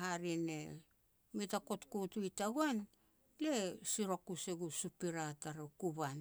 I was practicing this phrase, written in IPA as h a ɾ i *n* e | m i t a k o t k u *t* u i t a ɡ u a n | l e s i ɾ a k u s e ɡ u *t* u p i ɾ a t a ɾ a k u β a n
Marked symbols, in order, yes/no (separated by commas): yes, yes, no